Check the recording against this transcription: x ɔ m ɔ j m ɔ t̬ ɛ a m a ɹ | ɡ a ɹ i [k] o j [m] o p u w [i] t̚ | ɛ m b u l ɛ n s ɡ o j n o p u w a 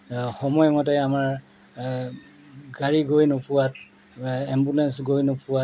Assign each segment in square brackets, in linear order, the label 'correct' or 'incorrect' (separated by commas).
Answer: incorrect, incorrect, incorrect